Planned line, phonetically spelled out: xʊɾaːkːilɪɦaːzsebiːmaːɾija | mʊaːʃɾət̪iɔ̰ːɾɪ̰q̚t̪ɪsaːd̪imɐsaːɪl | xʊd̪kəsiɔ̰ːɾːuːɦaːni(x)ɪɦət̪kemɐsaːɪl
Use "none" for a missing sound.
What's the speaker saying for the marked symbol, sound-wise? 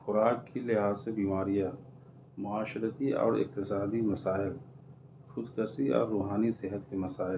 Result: s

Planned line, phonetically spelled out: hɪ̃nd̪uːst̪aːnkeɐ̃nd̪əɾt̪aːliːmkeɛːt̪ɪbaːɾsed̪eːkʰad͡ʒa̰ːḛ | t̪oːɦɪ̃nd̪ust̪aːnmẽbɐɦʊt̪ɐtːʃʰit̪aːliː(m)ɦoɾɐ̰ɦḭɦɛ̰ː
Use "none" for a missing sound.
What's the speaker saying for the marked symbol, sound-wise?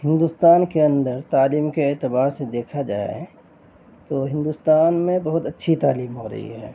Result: m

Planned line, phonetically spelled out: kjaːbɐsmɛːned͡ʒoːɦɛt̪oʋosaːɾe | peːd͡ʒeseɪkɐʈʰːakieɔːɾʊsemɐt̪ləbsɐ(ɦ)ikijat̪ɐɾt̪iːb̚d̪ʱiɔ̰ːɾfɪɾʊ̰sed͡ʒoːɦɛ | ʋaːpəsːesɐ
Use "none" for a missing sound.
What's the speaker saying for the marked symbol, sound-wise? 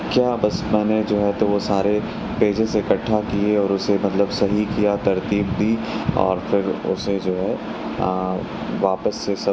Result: ɦ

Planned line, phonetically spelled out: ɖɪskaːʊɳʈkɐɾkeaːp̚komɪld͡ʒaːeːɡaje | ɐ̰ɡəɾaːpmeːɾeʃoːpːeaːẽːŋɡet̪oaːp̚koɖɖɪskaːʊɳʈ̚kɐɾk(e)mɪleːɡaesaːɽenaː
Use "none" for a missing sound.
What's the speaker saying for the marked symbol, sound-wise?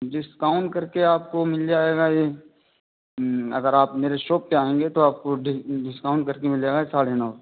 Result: e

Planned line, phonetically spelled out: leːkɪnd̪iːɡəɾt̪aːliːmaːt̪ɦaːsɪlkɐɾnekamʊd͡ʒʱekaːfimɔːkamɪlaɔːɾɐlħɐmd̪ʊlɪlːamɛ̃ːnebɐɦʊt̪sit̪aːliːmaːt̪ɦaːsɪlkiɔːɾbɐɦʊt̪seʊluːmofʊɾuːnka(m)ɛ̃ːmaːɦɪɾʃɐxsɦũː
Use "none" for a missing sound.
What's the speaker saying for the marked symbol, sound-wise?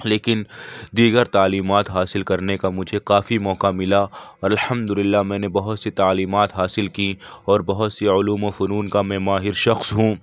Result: m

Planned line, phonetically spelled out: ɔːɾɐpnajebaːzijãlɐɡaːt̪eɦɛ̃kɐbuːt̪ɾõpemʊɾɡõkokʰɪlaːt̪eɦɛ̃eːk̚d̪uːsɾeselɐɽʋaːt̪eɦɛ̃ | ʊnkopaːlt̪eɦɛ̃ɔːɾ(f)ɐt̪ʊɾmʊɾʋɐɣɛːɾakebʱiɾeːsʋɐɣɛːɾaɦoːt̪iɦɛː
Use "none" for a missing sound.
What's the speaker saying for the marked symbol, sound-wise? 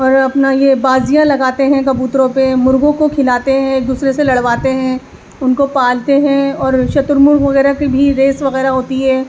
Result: ʃ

